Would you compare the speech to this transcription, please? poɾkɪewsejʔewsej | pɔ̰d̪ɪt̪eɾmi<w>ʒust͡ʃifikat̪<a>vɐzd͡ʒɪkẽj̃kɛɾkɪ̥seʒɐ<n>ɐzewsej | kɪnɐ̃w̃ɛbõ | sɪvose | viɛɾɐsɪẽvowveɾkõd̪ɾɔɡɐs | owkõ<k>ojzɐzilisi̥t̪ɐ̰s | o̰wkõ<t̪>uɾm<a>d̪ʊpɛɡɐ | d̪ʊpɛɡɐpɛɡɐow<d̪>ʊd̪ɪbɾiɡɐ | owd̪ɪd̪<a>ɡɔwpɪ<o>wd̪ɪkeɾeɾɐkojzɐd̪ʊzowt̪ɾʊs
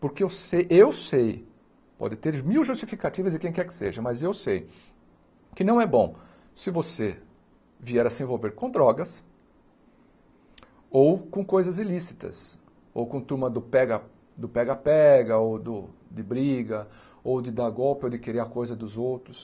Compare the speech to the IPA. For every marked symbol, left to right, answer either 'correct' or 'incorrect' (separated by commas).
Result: correct, incorrect, incorrect, correct, correct, incorrect, correct, correct, correct